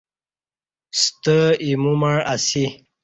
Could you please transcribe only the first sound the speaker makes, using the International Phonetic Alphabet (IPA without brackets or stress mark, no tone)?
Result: s